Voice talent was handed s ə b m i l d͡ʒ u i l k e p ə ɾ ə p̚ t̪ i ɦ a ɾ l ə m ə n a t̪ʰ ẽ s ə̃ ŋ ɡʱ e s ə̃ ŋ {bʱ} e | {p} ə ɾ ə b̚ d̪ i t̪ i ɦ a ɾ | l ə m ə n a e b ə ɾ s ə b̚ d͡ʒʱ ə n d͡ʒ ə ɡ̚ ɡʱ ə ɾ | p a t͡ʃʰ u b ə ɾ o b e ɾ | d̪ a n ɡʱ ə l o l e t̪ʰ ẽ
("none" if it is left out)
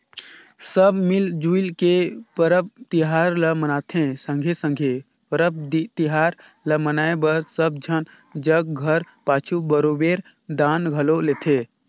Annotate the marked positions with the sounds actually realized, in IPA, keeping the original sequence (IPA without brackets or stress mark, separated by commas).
ɡʱ, p